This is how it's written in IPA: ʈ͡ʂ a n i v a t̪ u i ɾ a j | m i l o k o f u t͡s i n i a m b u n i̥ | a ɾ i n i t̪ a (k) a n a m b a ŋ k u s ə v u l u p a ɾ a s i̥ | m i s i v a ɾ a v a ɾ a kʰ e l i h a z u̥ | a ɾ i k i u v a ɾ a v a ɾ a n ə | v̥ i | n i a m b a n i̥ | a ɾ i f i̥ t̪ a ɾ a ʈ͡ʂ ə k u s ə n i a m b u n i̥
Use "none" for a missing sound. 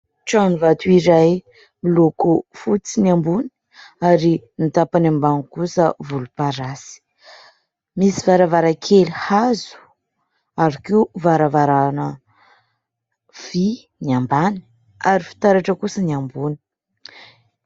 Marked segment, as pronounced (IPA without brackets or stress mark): p